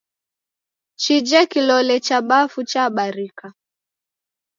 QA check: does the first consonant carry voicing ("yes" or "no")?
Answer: no